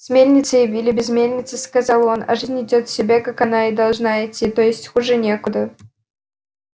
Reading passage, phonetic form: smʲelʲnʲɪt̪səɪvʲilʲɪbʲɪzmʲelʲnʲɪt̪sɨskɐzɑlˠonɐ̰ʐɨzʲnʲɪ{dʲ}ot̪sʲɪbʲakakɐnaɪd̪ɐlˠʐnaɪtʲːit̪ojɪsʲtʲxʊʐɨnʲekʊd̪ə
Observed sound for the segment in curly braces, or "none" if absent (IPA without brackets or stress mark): dʲ